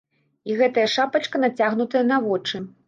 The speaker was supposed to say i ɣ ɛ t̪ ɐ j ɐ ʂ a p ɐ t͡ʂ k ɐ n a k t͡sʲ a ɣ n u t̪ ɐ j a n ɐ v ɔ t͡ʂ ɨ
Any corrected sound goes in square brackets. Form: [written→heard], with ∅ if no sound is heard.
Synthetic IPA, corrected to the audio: i ɣ ɛ t̪ ɐ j ɐ ʂ a p ɐ t͡ʂ k ɐ n a [k→∅] t͡sʲ a ɣ n u t̪ ɐ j [a→ɐ] n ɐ v ɔ t͡ʂ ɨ